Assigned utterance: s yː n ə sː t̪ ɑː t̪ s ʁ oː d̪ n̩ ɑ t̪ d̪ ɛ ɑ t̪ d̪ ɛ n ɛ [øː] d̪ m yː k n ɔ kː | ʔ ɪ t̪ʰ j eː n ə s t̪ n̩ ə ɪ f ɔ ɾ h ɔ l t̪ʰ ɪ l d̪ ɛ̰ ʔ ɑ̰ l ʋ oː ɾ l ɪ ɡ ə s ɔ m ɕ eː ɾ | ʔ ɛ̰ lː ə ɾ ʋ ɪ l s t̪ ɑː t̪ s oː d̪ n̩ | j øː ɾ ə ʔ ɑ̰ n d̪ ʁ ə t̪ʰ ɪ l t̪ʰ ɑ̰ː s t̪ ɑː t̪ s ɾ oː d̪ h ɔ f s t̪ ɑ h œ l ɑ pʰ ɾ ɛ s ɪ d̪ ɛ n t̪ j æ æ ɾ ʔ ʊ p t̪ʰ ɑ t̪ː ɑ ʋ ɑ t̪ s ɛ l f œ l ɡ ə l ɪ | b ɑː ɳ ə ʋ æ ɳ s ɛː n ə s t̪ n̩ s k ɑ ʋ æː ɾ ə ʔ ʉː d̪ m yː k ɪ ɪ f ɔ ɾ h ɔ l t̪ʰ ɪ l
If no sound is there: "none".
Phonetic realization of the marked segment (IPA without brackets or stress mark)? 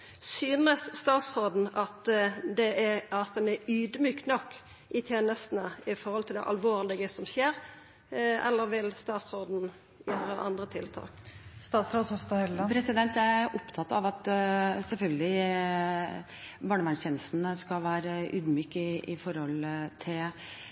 yː